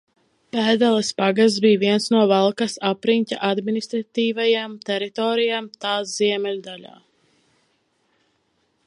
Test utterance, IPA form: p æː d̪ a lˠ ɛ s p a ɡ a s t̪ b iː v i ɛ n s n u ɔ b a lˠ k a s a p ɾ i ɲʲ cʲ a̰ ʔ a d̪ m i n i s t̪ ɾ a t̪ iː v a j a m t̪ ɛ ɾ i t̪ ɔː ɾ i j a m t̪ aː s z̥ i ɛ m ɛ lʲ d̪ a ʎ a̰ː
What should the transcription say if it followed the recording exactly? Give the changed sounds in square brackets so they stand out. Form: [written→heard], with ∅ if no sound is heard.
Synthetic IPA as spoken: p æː d̪ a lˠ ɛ s p a ɡ a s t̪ b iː v i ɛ n s n u ɔ [b→v] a lˠ k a s a p ɾ i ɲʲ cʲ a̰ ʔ a d̪ m i n i s t̪ ɾ a t̪ iː v a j a m t̪ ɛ ɾ i t̪ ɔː ɾ i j a m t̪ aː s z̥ i ɛ m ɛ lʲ d̪ a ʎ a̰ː